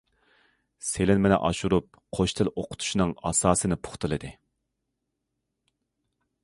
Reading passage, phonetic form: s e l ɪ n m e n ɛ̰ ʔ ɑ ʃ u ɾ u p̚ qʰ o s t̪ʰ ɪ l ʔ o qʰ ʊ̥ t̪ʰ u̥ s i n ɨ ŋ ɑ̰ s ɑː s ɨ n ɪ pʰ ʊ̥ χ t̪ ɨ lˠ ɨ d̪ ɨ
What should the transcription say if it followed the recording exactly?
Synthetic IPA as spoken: s e l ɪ n m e n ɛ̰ ʔ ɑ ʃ u ɾ u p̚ qʰ o ʃ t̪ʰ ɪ l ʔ o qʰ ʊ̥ t̪ʰ u̥ ʃ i n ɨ ŋ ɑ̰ s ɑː s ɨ n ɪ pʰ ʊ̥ χ t̪ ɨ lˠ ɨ d̪ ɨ